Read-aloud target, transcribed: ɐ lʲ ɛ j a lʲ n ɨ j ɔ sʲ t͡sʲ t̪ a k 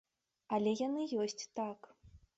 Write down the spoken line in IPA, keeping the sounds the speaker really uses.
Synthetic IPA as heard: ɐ lʲ ɛ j a n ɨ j ɔ sʲ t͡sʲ t̪ a k